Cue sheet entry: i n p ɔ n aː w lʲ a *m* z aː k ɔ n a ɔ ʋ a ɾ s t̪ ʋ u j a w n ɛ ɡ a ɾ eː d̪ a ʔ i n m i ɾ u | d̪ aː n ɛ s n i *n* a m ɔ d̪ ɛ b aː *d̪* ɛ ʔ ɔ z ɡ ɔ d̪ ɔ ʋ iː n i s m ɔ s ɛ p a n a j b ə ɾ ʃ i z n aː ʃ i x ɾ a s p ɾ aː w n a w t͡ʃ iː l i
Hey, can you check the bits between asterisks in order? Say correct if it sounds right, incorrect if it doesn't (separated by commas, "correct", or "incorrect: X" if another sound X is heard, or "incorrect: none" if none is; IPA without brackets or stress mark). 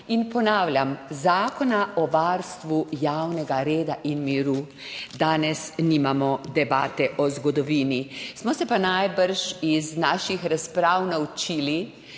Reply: correct, incorrect: m, incorrect: t̪